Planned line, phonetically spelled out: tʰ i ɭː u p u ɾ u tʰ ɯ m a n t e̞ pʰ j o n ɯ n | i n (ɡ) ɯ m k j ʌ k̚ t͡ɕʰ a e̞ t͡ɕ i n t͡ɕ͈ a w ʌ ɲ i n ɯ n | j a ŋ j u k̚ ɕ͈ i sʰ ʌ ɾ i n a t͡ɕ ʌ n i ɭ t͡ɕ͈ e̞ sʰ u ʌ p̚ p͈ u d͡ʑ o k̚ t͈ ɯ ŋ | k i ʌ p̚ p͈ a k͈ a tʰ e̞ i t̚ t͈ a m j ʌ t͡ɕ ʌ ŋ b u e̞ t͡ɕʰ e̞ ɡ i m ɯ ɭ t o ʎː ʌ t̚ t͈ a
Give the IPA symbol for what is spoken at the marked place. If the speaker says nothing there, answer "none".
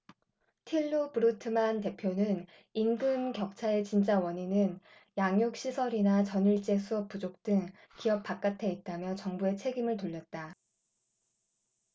ɡ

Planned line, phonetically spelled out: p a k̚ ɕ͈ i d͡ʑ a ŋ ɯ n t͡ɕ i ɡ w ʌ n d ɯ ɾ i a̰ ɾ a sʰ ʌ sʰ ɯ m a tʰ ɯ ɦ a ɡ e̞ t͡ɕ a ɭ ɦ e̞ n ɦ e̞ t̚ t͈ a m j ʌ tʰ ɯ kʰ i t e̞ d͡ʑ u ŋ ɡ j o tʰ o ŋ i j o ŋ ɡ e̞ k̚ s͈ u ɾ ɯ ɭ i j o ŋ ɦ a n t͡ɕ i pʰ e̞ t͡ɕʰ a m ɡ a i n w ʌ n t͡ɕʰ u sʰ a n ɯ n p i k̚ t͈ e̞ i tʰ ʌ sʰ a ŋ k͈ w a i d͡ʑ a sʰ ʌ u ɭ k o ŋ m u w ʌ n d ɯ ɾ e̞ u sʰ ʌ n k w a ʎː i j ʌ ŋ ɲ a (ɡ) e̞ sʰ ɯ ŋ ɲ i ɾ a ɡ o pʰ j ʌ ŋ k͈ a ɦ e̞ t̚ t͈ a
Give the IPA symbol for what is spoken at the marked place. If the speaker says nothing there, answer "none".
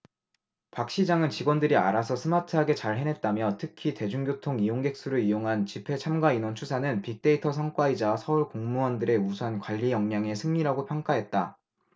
ŋ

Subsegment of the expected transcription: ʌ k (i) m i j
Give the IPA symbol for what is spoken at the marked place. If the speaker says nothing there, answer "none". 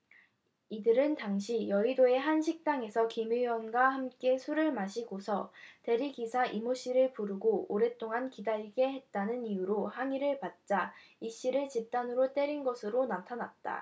i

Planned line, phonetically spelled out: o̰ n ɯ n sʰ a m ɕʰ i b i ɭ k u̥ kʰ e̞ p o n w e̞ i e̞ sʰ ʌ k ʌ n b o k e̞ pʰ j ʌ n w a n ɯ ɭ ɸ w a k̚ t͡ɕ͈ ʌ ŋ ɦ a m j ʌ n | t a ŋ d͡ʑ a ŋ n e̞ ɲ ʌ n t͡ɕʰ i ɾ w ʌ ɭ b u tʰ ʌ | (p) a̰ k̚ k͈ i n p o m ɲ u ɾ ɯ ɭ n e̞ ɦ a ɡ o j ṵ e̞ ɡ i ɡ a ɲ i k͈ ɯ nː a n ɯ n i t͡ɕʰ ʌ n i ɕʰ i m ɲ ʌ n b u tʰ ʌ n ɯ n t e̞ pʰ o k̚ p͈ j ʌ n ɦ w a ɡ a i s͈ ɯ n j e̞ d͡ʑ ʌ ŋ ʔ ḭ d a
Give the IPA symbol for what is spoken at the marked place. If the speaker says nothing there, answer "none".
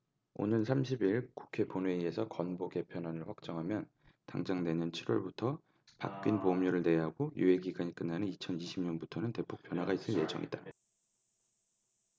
p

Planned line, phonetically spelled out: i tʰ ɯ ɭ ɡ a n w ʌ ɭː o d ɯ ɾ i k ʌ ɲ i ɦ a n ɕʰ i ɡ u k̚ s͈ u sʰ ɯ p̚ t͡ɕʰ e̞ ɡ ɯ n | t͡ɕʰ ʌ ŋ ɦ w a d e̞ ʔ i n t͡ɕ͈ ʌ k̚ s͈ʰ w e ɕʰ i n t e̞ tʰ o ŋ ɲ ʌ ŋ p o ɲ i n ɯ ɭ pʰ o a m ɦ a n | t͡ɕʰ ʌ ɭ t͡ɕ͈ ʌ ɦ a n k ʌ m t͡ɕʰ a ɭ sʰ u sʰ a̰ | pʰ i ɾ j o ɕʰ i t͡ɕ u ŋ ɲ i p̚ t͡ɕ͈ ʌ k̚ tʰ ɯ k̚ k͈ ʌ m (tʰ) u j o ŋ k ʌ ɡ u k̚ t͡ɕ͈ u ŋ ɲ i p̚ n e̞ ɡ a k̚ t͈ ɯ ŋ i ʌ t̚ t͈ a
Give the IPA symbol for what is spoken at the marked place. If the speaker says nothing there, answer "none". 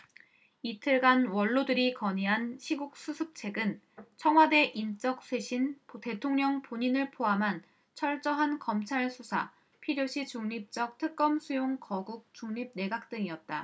sʰ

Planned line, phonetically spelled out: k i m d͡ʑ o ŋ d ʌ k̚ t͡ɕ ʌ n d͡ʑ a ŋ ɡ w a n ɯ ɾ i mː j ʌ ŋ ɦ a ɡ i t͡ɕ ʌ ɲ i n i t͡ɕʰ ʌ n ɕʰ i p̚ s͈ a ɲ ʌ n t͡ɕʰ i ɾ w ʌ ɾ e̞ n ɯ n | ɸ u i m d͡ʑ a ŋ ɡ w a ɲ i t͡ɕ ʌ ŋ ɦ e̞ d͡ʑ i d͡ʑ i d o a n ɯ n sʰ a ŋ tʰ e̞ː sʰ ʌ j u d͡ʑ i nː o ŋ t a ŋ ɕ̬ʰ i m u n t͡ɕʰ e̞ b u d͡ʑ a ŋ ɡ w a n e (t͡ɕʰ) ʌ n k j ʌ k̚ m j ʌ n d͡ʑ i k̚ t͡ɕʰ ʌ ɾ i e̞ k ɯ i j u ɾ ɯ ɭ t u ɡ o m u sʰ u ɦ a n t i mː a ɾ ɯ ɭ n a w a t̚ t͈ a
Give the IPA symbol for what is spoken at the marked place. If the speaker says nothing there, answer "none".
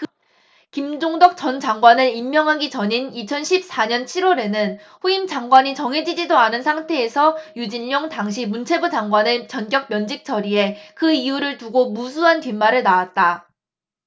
t͡ɕ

